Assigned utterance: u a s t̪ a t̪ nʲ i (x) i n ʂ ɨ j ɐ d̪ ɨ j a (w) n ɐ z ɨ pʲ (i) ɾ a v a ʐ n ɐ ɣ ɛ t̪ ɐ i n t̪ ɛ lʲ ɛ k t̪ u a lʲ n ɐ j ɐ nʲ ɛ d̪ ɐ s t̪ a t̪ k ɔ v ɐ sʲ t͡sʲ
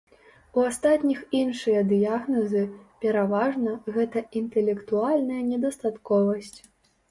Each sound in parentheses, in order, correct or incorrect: correct, incorrect: ɣ, incorrect: ɛ

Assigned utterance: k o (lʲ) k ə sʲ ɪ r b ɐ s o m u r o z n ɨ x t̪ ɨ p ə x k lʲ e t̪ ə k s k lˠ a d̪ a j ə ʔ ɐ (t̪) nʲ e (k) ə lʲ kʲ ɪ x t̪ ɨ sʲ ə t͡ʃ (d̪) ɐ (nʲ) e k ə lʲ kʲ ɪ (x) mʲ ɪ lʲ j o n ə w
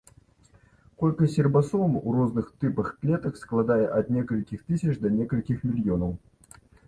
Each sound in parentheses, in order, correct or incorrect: correct, correct, correct, correct, correct, correct

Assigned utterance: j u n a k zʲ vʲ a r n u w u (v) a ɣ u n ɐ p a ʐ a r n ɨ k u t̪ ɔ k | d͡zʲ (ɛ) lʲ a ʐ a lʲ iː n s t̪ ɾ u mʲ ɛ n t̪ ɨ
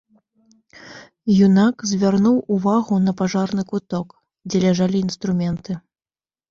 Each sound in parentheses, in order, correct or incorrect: correct, correct

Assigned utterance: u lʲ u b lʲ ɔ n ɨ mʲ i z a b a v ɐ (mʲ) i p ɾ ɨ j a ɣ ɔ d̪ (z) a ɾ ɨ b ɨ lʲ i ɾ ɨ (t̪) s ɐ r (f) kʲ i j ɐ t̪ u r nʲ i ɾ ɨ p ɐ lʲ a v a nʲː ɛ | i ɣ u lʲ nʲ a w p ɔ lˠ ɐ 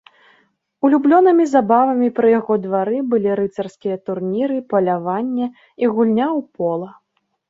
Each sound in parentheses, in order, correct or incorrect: correct, incorrect: v, correct, incorrect: s

